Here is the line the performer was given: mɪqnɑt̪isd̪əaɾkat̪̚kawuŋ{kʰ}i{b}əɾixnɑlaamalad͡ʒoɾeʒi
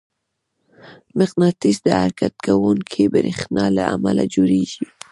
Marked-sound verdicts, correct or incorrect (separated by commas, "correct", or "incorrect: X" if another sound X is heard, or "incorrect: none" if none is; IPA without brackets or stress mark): correct, correct